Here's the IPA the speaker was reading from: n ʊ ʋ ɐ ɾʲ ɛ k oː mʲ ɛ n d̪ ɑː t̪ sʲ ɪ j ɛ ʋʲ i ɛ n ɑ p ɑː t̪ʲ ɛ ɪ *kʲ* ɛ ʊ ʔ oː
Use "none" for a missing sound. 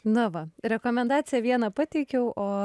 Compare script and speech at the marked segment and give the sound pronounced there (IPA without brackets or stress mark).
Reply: kʲ